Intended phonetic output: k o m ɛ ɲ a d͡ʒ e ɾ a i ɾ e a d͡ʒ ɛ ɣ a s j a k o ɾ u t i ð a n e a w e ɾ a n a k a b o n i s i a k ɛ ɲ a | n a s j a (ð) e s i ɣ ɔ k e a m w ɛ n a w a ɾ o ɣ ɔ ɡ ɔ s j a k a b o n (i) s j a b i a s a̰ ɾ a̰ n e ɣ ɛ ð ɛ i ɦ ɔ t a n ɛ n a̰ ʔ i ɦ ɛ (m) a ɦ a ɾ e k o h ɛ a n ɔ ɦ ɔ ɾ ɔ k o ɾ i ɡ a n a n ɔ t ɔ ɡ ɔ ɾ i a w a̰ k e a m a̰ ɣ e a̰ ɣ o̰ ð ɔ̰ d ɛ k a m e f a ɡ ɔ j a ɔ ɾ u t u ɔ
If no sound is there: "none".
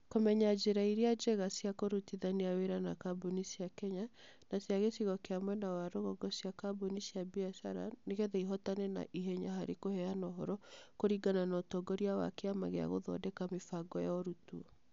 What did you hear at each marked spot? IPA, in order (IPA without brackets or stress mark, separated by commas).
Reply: ɣ, i, ɲ